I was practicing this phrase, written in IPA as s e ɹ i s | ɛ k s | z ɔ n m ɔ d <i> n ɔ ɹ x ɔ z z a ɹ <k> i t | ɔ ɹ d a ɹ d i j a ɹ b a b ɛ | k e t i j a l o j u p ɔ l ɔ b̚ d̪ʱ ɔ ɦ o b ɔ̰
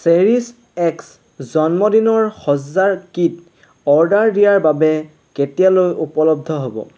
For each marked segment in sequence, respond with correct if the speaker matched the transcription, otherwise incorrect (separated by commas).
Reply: correct, correct